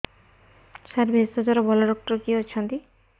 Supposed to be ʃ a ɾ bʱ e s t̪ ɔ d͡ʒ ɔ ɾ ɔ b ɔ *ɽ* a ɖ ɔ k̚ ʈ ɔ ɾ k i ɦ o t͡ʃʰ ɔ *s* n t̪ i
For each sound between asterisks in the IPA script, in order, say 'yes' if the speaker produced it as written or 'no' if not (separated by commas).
no, no